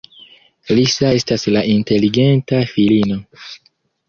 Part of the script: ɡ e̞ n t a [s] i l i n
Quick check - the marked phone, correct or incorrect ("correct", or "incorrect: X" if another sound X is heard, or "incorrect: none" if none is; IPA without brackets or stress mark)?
incorrect: f